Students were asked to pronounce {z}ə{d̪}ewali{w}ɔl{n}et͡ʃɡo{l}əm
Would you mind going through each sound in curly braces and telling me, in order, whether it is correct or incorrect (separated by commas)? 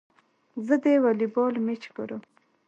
correct, correct, incorrect, incorrect, incorrect